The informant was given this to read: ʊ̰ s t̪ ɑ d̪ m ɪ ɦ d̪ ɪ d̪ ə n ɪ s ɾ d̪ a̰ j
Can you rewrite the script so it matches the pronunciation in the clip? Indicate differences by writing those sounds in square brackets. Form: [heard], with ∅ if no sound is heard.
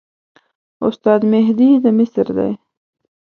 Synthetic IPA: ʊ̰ s t̪ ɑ d̪ m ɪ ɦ d̪ [i] d̪ ə [m] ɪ s ɾ d̪ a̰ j